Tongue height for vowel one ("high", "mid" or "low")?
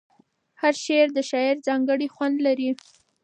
low